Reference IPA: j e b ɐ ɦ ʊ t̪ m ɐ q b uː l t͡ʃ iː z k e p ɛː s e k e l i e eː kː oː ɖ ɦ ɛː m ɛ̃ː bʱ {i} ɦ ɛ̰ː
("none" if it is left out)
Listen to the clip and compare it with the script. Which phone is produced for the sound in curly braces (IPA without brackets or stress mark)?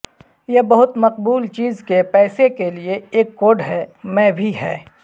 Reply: i